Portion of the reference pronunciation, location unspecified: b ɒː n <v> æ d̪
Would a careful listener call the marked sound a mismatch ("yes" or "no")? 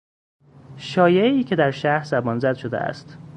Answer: yes